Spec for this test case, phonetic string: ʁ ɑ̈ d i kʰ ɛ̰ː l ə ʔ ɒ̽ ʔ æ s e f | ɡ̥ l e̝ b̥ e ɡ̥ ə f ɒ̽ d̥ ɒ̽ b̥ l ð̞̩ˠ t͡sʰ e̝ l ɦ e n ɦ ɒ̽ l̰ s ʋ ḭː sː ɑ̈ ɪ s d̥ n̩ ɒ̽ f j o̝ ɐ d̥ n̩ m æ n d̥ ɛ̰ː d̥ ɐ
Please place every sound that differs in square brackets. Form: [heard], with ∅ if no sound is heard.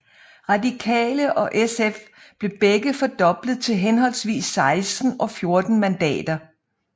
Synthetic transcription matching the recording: ʁ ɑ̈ d i kʰ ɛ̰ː l ə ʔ ɒ̽ ʔ [e] s e f | [b̥] l e̝ b̥ e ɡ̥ ə f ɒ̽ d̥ ɒ̽ b̥ l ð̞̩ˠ t͡sʰ e̝ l ɦ e n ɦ ɒ̽ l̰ s ʋ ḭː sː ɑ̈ ɪ s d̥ n̩ ɒ̽ f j o̝ ɐ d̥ n̩ m æ n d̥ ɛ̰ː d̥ ɐ